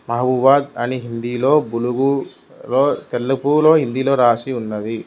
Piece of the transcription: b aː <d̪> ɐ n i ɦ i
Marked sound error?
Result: no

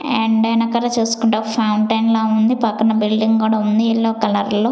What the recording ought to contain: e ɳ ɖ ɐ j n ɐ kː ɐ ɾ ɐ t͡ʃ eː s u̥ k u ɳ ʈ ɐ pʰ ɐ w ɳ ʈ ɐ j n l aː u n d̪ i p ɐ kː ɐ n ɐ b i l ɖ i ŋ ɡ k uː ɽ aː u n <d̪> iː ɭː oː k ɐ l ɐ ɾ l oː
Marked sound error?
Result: no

